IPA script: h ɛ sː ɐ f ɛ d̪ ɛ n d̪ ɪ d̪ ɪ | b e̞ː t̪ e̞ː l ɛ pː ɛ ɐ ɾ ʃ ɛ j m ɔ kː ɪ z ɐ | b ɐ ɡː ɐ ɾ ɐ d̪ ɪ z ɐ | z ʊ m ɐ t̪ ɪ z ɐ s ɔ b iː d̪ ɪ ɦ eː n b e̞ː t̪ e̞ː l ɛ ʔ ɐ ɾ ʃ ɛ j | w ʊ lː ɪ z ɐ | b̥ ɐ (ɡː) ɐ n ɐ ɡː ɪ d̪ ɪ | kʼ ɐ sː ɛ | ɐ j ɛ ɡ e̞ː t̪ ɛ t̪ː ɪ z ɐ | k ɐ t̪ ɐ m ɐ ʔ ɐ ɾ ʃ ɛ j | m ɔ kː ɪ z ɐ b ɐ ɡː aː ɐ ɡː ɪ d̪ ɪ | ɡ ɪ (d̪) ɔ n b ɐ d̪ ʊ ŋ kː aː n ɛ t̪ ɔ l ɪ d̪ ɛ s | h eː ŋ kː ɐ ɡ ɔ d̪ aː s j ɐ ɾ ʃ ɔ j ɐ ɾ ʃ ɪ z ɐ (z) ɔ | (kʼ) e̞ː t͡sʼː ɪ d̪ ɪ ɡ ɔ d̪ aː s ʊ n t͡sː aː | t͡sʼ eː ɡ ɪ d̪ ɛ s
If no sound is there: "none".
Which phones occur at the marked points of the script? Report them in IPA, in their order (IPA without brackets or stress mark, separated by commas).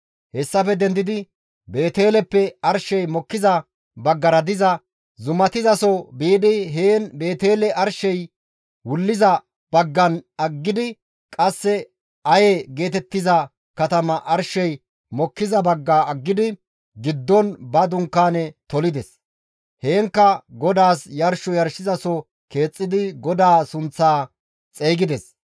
ɡː, d̪ː, s, k